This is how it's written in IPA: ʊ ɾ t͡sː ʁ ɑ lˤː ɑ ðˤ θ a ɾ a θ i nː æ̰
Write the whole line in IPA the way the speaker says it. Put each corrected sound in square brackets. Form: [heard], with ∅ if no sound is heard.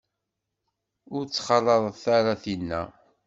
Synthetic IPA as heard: ʊ ɾ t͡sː [χ] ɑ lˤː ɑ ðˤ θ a ɾ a θ i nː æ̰